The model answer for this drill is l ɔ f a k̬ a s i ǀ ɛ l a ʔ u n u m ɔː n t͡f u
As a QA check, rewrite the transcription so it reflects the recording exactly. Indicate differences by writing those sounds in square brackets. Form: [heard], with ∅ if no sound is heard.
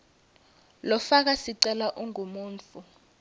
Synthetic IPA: l ɔ f a k̬ a s i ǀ ɛ l a ʔ u [ŋ] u m [uː] n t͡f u